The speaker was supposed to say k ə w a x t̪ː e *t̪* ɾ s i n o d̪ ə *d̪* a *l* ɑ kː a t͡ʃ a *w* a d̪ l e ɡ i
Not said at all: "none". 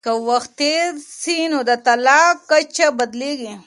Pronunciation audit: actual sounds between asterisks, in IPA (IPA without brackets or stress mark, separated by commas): none, t̪, l, b